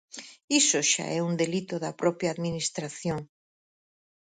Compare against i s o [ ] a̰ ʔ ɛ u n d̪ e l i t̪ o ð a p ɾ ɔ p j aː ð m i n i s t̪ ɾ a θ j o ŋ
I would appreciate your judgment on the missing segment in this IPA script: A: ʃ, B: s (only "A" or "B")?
A